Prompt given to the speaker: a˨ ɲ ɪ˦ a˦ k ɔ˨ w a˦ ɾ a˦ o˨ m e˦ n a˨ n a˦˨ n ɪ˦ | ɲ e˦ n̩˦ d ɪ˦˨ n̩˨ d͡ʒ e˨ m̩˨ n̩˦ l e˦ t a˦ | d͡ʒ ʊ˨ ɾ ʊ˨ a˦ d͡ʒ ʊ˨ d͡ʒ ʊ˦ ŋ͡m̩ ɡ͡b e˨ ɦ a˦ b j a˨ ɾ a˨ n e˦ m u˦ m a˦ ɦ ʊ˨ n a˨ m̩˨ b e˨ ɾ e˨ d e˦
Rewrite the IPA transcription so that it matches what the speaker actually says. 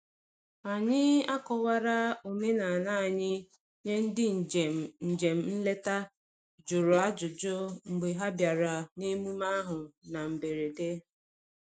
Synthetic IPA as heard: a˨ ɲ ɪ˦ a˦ k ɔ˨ w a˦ ɾ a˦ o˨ m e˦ n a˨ n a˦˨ ɲ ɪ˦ | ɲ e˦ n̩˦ d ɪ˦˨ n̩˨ d͡ʒ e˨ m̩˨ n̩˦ l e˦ t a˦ | d͡ʒ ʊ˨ ɾ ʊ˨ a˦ d͡ʒ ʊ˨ d͡ʒ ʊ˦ ŋ͡m̩ ɡ͡b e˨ ɦ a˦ b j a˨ ɾ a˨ n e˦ m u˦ m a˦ ɦ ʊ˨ n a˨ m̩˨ b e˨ ɾ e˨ d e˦

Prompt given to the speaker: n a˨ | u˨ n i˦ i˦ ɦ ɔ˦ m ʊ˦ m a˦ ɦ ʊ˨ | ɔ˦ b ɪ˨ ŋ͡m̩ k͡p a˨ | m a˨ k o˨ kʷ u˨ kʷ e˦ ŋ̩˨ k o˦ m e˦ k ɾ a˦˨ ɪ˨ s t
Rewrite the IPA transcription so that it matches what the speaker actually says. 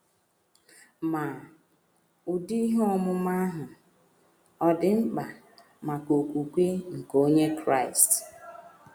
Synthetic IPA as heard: m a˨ | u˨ d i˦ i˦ ɦ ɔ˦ m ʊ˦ m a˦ ɦ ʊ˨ | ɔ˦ d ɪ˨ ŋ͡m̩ k͡p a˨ | m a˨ k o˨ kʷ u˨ kʷ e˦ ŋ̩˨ k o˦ ɲ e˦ k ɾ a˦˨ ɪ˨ s t

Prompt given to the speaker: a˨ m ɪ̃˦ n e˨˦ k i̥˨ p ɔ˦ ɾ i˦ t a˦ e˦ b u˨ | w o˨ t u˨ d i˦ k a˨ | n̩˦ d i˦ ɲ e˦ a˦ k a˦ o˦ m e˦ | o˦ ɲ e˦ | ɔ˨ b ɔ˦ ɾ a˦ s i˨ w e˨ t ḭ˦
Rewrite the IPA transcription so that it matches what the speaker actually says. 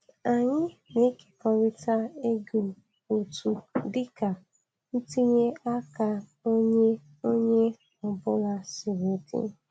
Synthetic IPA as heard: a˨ ɲ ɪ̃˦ n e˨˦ k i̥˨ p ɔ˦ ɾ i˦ t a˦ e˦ ɡ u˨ | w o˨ t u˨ d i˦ k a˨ | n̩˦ t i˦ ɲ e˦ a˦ k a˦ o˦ ɲ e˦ | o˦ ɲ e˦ | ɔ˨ b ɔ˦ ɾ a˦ s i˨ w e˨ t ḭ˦

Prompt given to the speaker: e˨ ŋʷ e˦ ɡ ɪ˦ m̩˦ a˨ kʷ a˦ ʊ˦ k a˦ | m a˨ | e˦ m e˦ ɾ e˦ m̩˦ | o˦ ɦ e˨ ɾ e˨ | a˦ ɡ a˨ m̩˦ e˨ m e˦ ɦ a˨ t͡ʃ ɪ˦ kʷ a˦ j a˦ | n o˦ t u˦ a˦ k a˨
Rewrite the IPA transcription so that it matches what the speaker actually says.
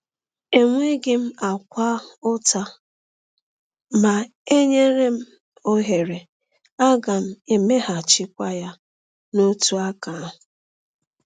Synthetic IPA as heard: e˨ ŋʷ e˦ ɡ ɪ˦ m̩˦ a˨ kʷ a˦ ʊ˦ t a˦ | m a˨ | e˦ ɲ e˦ ɾ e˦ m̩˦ | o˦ ɦ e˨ ɾ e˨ | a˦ ɡ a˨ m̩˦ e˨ m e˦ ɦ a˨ t͡ʃ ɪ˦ kʷ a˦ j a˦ | n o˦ t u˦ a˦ k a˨

